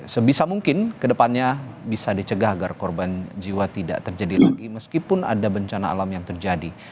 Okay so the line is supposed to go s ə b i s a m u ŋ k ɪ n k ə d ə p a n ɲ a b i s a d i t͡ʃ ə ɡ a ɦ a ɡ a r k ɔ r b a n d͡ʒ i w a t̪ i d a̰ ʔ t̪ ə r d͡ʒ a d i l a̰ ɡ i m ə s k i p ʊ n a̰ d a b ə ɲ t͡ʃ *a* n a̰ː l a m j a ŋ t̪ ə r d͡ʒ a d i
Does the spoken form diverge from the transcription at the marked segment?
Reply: no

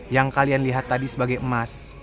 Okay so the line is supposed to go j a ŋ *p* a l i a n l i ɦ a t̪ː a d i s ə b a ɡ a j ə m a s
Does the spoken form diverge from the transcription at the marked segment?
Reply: yes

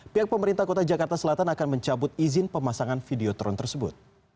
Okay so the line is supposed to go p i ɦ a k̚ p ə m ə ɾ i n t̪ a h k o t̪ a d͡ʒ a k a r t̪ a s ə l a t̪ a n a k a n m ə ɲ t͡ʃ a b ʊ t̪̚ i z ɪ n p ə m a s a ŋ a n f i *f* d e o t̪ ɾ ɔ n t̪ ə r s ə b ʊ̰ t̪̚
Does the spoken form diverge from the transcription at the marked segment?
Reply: yes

